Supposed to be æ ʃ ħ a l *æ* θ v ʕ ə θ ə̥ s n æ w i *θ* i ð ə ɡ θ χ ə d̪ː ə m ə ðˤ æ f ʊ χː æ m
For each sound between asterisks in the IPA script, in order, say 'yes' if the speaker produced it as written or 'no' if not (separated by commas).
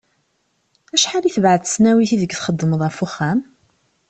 no, yes